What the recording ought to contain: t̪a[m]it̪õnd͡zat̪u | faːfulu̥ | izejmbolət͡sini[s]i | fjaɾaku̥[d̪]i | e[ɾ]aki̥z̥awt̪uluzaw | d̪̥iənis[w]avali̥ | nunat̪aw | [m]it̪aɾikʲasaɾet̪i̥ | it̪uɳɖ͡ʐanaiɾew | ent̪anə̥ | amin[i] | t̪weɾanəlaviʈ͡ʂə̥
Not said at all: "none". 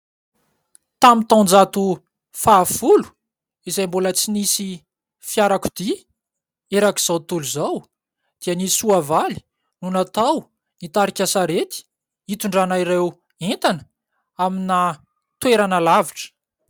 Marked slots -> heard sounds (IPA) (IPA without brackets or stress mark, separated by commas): m, s, d̪, ɾ, u, n, a